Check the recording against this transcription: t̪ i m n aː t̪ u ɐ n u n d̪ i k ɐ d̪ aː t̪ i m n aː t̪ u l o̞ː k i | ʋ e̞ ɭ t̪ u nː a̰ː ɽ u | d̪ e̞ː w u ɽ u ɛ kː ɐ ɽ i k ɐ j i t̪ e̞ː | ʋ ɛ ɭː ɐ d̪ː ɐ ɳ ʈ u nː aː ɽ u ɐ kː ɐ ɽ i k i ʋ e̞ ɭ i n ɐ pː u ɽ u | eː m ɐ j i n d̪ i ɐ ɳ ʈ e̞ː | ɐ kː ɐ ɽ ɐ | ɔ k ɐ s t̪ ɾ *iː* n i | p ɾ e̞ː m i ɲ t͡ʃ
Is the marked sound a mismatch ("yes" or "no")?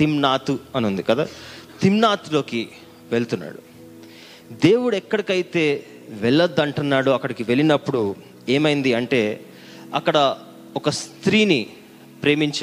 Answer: no